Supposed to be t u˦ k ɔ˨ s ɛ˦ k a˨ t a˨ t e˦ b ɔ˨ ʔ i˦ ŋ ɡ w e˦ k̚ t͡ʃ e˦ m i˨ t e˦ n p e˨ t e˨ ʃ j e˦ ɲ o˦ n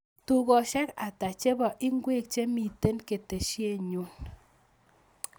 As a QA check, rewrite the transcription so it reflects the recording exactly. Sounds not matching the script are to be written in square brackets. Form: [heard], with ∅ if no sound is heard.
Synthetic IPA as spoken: t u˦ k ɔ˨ [ʃ] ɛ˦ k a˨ t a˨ [t͡ʃ] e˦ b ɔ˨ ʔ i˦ ŋ ɡ w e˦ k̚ t͡ʃ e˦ m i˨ t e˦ n [k] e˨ t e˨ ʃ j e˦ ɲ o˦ n

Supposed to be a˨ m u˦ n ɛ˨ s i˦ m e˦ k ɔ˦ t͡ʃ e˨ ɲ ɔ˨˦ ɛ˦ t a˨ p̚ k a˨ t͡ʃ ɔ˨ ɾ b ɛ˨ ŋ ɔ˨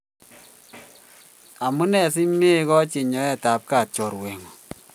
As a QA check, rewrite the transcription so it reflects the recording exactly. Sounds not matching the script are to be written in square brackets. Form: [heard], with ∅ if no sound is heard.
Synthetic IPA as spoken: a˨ m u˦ n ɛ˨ s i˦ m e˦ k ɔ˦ t͡ʃ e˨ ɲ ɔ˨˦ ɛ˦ t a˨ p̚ k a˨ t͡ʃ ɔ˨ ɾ [w] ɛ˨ ŋ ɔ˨

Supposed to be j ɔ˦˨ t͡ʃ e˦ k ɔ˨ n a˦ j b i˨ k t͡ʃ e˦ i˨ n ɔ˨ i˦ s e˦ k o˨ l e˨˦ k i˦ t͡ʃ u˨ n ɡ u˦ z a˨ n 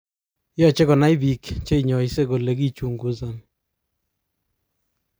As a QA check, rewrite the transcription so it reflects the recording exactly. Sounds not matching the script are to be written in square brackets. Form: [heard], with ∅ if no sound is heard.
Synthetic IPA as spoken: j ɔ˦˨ t͡ʃ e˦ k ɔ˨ n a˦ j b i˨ k t͡ʃ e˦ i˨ [ɲ] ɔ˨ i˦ s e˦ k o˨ l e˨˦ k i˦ t͡ʃ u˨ [ŋ] ɡ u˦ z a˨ n

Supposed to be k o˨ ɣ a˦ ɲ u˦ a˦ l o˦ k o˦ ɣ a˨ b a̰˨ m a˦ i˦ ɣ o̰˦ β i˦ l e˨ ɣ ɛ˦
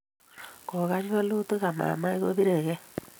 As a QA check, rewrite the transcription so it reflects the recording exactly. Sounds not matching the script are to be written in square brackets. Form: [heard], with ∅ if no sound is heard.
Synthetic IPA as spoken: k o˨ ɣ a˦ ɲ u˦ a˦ l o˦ [t] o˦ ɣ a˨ [m] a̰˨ m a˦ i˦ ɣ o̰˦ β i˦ [ɾ] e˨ ɣ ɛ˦

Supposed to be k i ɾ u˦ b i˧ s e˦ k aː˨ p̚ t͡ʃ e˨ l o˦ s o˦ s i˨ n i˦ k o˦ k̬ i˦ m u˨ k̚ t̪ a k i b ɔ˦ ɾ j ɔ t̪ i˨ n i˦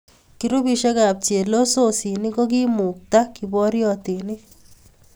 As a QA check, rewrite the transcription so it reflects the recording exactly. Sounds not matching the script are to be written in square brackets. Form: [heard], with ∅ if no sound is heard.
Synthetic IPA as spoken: k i ɾ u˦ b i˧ [ʃ] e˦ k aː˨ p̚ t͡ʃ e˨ l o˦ s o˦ s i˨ n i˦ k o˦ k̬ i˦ m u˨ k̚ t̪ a k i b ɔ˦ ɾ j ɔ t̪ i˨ n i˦

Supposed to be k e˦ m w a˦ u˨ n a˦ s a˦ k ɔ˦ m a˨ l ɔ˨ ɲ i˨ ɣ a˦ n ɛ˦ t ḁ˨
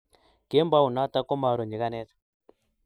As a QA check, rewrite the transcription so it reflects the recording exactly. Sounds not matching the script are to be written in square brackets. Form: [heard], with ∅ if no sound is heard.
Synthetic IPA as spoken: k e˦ m [b] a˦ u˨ n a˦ [t] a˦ k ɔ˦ m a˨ [ɾ] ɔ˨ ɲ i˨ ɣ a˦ n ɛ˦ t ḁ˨

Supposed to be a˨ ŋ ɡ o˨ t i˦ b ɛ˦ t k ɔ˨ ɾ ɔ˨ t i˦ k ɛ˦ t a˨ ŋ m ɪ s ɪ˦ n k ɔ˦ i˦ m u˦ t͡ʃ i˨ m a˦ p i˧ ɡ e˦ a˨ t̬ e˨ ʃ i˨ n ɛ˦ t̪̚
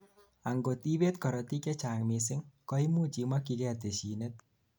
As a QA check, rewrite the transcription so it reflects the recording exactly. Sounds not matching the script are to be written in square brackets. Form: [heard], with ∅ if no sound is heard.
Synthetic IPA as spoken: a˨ ŋ ɡ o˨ t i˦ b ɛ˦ t k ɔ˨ ɾ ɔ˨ t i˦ k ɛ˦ [t͡ʃ] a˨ ŋ m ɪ s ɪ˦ [ŋ] k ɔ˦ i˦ m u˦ t͡ʃ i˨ m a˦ [k] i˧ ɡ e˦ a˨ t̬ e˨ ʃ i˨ n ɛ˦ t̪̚

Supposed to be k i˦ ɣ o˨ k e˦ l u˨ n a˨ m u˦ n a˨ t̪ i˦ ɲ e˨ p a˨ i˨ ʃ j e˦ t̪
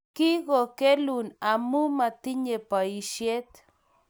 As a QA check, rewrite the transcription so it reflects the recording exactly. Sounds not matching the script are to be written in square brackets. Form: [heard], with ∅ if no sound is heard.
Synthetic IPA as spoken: k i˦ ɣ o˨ k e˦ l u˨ n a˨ m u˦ [m] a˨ t̪ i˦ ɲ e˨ p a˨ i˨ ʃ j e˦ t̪

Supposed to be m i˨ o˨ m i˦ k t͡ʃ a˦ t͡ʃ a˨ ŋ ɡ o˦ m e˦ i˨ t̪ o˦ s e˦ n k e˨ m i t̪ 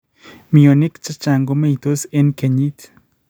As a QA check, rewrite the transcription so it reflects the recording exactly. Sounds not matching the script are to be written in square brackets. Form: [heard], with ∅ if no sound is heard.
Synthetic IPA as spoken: m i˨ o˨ [n] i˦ k t͡ʃ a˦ t͡ʃ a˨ ŋ ɡ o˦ m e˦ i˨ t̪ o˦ s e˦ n k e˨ [ɲ] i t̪

